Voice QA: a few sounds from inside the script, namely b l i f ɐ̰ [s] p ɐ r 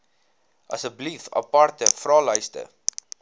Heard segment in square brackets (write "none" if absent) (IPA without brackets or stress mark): none